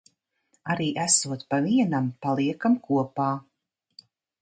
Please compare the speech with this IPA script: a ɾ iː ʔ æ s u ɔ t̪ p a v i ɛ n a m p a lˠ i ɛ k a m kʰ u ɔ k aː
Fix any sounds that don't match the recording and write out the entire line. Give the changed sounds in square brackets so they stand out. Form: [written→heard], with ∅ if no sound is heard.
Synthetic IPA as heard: a ɾ iː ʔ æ s u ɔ t̪ p a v i ɛ n a m p a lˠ i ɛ k a m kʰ u ɔ [k→p] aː